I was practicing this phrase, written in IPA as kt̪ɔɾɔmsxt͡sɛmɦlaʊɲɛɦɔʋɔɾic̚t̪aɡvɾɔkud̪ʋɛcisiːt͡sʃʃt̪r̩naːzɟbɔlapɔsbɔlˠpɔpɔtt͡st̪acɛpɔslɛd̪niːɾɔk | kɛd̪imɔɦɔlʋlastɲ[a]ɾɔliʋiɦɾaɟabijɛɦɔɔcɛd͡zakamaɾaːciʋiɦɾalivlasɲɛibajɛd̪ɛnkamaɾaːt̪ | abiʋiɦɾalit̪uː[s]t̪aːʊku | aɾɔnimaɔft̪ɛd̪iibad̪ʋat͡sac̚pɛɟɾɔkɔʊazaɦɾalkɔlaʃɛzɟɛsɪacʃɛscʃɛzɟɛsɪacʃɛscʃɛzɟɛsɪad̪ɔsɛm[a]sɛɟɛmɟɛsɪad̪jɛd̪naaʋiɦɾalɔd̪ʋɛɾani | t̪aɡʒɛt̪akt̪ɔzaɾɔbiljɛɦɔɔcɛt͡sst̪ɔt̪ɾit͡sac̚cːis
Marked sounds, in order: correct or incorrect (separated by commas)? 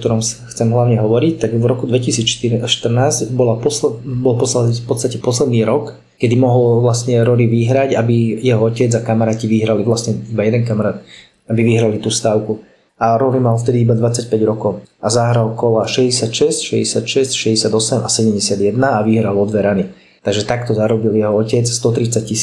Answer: incorrect, correct, correct